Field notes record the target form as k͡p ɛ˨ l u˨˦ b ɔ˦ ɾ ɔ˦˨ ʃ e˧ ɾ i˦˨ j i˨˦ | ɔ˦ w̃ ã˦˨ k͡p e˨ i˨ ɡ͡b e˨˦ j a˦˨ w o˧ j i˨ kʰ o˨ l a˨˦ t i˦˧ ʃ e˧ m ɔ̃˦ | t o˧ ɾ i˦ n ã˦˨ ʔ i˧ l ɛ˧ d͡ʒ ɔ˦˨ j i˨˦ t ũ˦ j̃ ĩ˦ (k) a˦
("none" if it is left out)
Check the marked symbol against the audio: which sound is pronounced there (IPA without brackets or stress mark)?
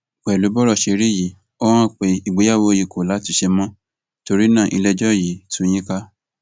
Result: k